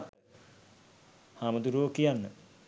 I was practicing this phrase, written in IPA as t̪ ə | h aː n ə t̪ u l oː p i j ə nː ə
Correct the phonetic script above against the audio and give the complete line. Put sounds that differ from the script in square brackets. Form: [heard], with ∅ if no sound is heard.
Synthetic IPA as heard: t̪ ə | h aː [m] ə [d̪] u [ɾ] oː [k] i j [a] nː ə